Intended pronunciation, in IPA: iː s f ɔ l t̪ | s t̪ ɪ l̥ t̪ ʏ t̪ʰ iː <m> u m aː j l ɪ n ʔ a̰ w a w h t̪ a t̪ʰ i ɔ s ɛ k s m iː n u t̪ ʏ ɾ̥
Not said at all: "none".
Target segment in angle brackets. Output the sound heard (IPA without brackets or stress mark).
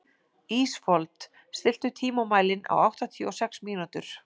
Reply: m